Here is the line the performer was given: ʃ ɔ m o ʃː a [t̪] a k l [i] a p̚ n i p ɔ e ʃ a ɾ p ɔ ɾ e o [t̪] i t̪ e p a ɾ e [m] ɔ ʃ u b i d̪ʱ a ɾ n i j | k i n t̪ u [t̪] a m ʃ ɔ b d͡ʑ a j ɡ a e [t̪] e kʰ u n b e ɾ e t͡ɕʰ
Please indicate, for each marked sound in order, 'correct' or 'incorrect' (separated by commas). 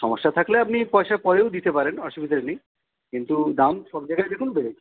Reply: incorrect, incorrect, incorrect, incorrect, incorrect, incorrect